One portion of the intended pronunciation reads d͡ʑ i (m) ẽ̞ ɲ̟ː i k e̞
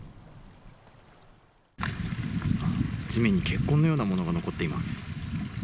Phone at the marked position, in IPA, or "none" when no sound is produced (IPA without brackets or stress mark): m